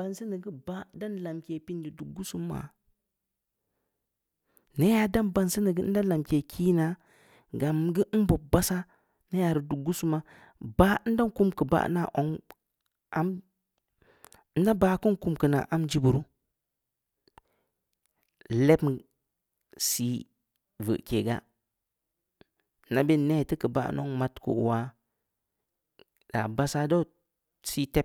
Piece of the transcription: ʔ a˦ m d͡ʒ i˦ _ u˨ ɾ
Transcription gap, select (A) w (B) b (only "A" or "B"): B